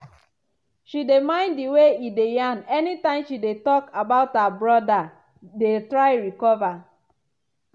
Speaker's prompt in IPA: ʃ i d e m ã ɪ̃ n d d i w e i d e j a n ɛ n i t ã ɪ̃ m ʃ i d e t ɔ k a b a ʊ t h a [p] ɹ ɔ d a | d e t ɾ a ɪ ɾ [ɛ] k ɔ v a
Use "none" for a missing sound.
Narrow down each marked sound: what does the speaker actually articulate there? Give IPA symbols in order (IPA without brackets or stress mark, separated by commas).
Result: b, i